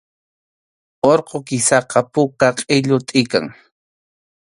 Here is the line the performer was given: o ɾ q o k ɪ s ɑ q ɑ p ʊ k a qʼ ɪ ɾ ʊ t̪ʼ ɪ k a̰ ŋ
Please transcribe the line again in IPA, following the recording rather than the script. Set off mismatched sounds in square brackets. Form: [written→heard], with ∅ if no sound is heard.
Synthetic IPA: o ɾ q o k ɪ s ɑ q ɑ p ʊ k a qʼ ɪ [ɾ→ʎ] ʊ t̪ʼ ɪ k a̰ ŋ